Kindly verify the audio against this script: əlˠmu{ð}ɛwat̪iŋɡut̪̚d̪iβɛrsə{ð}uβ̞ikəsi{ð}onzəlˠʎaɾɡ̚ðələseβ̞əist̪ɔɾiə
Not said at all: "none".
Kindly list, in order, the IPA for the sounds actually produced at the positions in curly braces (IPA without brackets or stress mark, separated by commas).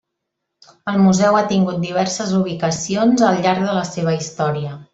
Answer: z, z, none